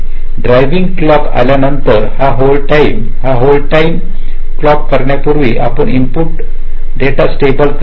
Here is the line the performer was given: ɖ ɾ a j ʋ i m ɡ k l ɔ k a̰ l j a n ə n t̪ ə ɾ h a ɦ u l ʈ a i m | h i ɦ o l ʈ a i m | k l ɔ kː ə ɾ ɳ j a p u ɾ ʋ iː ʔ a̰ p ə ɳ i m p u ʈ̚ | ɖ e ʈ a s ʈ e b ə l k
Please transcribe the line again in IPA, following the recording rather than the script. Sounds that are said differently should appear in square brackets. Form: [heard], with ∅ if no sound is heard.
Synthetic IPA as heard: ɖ ɾ a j ʋ i [ŋ] ɡ k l ɔ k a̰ l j a n ə n t̪ ə ɾ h a ɦ [o] l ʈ a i m | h [a] ɦ o l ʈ a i m | k l ɔ kː ə ɾ ɳ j a p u ɾ ʋ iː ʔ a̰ p ə ɳ i m p u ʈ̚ | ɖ e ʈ a s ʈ e b ə l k